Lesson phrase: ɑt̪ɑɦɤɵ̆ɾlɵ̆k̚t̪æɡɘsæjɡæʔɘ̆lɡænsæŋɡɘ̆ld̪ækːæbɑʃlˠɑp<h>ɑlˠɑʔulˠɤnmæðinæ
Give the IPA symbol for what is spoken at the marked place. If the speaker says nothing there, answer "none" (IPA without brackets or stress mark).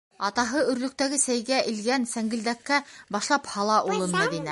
h